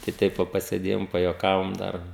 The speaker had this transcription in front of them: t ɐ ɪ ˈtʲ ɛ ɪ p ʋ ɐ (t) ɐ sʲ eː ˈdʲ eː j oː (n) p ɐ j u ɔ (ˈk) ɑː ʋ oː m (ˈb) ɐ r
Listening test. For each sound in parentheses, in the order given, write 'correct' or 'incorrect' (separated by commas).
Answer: incorrect, incorrect, correct, incorrect